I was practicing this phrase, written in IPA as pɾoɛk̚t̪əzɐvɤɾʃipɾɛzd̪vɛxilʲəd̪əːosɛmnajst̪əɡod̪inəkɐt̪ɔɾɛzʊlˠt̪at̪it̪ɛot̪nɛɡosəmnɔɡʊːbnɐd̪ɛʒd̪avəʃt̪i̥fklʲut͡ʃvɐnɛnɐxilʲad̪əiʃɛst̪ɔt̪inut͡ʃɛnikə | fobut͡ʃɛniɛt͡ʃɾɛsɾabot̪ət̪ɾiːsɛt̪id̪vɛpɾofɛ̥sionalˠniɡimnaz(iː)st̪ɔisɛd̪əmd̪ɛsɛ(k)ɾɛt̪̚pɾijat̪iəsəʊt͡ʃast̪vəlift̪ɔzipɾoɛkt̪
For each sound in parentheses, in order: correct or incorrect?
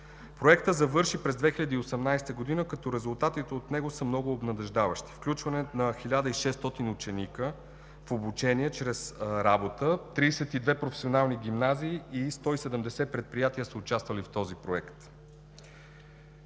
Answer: correct, incorrect

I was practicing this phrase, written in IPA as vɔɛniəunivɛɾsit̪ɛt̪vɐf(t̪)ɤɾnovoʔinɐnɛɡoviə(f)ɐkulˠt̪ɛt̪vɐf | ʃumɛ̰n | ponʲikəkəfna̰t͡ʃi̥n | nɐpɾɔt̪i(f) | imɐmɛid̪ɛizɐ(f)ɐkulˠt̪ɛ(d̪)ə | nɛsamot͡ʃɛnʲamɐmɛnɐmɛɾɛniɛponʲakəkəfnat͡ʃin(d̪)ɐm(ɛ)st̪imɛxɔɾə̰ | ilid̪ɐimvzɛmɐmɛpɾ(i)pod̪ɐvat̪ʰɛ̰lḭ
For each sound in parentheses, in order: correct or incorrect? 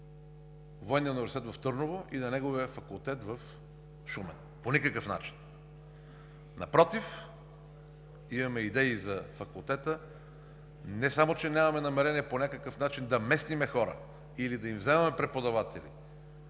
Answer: correct, correct, correct, correct, incorrect, correct, correct, incorrect

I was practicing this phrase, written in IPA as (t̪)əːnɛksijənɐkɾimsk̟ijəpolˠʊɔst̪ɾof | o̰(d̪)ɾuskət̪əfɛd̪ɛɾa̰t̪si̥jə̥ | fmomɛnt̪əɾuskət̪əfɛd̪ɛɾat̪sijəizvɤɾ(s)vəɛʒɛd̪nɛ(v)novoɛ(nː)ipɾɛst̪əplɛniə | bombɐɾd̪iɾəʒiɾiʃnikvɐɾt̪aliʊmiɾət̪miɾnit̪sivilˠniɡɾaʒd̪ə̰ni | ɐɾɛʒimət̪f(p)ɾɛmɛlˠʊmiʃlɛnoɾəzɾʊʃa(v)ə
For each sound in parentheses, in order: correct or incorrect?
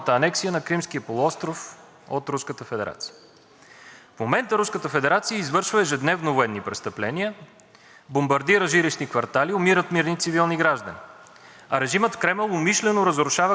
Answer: correct, incorrect, incorrect, correct, correct, incorrect, correct

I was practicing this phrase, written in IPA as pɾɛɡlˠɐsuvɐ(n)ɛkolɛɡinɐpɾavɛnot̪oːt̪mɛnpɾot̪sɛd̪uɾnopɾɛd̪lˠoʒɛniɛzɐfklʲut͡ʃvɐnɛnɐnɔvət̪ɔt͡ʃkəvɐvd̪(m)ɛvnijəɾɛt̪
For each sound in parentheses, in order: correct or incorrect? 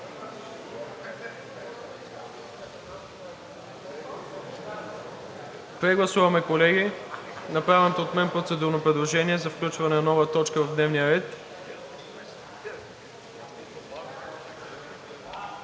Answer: incorrect, incorrect

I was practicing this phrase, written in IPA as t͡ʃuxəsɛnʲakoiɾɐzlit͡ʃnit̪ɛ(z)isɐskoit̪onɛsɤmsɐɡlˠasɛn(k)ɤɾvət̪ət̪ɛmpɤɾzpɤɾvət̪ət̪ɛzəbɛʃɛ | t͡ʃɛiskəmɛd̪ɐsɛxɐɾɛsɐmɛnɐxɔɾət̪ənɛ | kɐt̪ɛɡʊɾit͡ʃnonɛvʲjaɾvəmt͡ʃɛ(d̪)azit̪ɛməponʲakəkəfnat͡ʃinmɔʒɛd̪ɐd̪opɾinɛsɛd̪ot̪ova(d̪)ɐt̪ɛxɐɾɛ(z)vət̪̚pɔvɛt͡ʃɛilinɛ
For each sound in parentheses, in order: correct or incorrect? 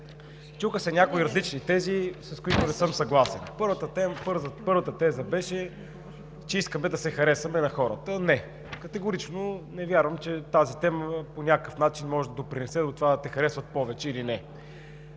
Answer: correct, incorrect, incorrect, correct, incorrect

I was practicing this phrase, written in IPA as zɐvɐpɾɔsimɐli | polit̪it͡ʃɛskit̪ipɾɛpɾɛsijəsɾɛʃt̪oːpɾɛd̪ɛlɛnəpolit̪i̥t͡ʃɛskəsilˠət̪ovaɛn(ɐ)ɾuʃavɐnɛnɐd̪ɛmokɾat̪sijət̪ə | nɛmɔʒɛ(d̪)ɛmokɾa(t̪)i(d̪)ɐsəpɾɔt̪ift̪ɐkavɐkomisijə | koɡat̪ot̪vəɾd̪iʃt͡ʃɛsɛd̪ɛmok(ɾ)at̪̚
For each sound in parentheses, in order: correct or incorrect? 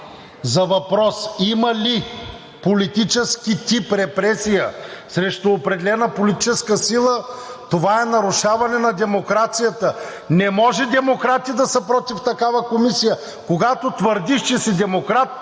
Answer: correct, correct, correct, correct, correct

